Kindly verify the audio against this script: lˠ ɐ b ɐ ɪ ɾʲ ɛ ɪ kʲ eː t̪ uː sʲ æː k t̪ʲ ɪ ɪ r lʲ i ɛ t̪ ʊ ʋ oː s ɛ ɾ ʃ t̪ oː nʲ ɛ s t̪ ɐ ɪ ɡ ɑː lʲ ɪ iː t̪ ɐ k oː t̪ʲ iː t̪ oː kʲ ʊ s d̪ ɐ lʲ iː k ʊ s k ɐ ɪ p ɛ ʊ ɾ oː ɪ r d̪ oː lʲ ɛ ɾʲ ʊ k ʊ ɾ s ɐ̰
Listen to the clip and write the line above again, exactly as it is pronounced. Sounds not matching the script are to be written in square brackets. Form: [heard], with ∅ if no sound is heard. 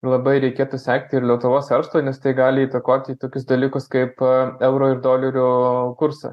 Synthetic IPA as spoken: lˠ ɐ b ɐ ɪ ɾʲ ɛ ɪ kʲ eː t̪ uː sʲ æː k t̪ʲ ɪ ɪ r lʲ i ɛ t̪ ʊ ʋ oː s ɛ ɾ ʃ t̪ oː nʲ ɛ s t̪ ɐ ɪ ɡ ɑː lʲ ɪ iː t̪ ɐ k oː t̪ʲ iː t̪ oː kʲ ʊ s d̪ ɐ lʲ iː k ʊ s k ɐ ɪ p ɛ ʊ ɾ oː ɪ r d̪ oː lʲ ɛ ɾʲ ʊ k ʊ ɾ s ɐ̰